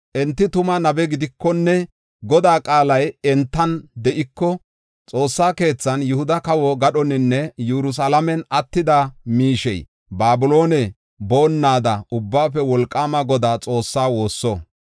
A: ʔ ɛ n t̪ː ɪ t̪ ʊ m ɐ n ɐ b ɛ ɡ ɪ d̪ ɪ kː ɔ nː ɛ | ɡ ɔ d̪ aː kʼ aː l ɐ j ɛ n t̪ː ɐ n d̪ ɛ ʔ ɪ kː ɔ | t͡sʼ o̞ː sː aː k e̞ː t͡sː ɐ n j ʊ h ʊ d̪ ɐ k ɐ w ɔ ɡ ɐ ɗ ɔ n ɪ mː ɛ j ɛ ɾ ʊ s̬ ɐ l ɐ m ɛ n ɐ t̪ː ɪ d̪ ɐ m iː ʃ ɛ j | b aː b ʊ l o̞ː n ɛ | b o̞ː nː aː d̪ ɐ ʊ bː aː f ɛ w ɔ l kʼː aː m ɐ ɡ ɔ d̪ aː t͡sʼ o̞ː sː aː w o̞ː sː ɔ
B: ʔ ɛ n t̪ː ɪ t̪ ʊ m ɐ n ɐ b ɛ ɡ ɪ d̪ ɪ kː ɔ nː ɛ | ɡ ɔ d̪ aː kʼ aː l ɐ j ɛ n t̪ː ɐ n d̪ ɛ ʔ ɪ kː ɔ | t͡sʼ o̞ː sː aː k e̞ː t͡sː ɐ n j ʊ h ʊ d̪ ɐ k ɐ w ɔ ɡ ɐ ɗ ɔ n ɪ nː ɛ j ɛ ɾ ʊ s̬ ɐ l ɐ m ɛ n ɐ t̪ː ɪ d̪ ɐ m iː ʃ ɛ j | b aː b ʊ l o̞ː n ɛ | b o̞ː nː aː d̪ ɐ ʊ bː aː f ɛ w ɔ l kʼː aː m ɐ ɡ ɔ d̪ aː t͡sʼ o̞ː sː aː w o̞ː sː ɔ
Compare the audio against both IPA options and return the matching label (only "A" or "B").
B